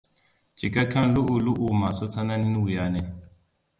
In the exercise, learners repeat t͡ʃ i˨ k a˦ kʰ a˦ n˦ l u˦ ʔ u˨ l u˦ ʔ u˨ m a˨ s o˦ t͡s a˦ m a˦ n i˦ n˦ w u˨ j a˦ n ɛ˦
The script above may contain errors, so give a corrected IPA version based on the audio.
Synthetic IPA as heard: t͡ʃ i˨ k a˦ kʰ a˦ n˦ l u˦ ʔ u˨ l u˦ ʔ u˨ m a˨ s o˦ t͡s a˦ n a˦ n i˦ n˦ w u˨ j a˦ n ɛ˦